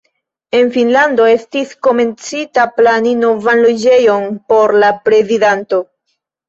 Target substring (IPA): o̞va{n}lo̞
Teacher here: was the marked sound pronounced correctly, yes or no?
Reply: yes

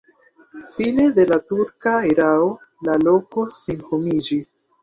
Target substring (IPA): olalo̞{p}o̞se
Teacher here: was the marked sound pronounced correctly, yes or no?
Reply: no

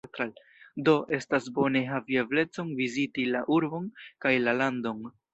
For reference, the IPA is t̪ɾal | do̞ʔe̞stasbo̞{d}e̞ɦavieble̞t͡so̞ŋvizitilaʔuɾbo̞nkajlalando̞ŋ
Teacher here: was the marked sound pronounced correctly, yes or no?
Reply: no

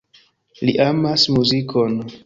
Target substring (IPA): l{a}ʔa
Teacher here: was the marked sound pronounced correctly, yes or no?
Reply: no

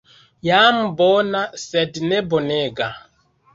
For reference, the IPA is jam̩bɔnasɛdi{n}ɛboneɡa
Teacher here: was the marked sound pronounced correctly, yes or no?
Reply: yes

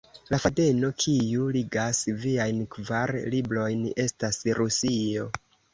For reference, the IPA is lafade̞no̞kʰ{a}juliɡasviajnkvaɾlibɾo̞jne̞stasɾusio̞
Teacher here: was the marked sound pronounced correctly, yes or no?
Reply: no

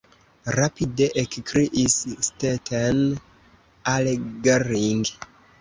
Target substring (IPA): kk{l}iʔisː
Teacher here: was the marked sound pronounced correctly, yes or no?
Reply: no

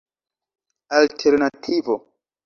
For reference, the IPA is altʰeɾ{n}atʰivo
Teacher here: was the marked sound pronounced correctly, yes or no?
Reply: yes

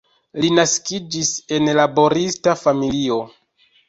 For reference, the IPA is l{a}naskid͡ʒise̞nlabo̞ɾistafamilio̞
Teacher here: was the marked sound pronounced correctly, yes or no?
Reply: no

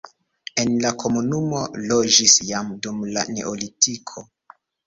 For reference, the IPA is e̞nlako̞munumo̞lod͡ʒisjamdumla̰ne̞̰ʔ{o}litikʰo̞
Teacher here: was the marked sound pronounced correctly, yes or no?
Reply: yes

